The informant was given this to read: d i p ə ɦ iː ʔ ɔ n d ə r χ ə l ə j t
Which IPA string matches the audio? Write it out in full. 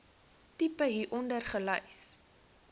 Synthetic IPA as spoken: t i p ə ɦ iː ʔ ɔ n d ə r χ ə l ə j s